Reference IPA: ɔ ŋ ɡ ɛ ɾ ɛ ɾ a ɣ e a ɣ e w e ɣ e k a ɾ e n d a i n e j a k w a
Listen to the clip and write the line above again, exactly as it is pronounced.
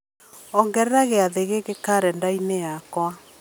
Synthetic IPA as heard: ɔ ŋ ɡ ɛ ɾ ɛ ɾ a ɣ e a ð e ɣ e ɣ e k a ɾ ɛ n d a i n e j a k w a